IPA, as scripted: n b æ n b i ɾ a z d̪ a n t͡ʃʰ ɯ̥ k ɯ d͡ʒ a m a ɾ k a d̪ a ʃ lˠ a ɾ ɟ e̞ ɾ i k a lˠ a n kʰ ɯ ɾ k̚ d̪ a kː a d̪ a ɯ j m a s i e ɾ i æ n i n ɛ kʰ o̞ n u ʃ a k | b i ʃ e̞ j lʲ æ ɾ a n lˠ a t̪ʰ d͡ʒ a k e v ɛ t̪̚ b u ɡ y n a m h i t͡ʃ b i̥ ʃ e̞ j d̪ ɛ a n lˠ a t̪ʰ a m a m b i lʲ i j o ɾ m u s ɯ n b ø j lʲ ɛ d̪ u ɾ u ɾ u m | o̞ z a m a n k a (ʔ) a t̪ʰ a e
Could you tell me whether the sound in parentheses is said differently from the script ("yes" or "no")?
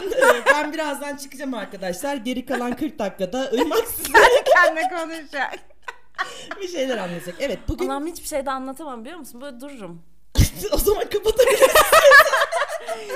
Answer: yes